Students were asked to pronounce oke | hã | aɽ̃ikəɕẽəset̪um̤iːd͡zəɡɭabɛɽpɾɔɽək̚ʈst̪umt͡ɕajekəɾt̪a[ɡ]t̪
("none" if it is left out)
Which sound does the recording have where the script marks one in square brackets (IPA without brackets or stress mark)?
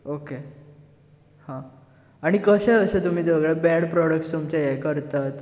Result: none